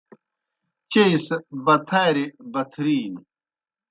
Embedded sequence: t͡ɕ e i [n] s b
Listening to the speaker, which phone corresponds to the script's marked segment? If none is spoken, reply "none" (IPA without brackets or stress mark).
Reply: none